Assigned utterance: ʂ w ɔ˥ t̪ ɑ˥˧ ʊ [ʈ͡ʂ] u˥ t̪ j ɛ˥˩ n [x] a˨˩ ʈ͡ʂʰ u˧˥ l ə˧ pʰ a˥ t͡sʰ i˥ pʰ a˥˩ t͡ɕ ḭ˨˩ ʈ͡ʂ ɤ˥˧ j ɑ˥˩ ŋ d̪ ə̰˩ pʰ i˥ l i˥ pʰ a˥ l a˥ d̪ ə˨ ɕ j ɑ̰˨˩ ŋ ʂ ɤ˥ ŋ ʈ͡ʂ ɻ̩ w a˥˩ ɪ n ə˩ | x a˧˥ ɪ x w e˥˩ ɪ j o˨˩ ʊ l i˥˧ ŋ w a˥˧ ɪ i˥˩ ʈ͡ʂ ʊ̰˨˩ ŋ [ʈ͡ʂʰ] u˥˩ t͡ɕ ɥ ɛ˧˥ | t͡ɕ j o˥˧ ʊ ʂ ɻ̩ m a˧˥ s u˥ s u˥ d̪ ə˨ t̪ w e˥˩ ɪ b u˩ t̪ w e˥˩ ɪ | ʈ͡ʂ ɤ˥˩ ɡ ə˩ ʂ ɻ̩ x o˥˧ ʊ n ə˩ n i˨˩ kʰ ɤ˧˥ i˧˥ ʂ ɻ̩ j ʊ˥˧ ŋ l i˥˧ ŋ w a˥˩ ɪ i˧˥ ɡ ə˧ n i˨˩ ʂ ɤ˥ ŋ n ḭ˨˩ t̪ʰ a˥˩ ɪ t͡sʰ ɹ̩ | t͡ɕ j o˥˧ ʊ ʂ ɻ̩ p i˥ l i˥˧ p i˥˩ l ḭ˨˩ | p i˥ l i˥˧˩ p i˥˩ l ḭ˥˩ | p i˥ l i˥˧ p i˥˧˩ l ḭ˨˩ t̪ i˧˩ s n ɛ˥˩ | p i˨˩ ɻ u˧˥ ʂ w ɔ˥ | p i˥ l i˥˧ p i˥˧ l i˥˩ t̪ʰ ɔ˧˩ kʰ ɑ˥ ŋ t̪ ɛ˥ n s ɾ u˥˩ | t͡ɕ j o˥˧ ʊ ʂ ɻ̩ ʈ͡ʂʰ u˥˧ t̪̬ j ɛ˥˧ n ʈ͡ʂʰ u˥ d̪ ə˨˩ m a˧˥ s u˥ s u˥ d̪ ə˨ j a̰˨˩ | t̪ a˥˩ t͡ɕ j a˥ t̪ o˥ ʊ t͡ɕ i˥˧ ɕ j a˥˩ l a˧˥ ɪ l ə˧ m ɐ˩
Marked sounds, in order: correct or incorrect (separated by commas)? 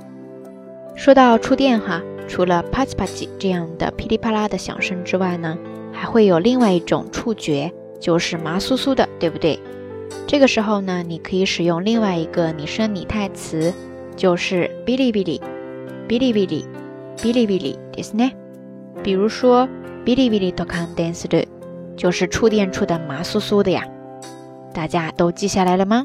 incorrect, correct, correct